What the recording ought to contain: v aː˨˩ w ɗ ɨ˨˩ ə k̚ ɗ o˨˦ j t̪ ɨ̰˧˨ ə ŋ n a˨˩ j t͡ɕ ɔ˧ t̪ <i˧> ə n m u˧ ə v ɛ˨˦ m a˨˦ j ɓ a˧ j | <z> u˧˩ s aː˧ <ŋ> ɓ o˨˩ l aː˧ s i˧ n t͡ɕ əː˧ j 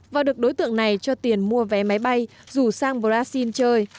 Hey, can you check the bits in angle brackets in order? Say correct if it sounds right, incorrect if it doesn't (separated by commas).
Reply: incorrect, correct, correct